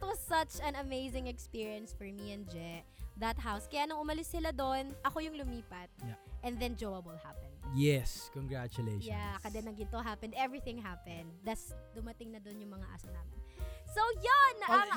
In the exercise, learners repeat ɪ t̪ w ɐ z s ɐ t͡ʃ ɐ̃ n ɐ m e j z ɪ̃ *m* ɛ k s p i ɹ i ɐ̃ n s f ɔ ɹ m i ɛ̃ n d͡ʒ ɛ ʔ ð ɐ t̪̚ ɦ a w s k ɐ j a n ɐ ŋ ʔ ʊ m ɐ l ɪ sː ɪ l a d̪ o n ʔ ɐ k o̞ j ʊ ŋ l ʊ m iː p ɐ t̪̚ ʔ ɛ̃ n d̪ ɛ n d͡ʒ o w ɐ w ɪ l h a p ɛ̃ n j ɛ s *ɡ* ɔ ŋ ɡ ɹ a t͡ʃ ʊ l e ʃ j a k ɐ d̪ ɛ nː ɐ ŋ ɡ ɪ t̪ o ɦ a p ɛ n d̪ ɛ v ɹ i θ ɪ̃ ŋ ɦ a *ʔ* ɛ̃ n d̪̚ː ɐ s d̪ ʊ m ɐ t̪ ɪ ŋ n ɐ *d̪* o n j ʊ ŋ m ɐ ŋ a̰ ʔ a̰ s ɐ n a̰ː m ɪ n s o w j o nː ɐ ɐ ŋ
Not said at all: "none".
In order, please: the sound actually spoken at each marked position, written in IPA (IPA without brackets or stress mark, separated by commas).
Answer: ŋ, k, p, d̪